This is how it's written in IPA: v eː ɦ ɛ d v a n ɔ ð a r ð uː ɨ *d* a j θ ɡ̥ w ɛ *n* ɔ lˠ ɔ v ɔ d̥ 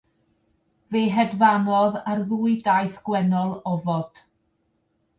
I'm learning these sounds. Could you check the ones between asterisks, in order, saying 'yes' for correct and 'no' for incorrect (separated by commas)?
yes, yes